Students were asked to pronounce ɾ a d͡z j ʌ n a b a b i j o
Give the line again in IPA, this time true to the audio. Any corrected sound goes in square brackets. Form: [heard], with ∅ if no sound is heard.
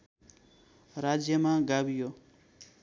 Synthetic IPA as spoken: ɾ a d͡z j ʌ [m] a [ɡ] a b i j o